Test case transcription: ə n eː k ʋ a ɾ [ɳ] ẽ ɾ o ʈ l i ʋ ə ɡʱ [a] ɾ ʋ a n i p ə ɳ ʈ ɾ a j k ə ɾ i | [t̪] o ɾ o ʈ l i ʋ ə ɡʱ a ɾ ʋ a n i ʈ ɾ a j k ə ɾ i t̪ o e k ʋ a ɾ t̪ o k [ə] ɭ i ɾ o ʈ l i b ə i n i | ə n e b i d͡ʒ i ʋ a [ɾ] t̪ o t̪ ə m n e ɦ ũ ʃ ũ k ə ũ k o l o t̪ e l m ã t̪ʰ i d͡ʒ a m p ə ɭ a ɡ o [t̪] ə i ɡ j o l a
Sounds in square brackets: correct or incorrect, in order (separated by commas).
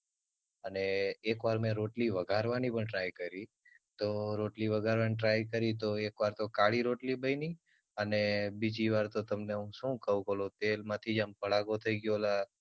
incorrect, correct, correct, incorrect, correct, incorrect